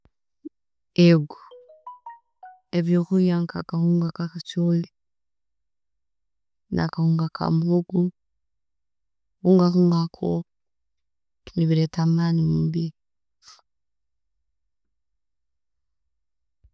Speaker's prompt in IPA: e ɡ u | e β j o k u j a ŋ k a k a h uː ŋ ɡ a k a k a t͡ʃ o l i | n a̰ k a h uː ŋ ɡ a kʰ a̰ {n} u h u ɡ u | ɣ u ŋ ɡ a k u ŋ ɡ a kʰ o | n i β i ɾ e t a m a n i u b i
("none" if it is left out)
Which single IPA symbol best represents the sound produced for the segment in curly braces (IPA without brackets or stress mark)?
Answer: m